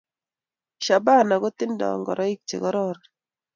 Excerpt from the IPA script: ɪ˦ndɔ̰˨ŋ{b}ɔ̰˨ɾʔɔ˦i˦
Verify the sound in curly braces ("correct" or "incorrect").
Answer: incorrect